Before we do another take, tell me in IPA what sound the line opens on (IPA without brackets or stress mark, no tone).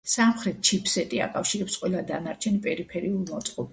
s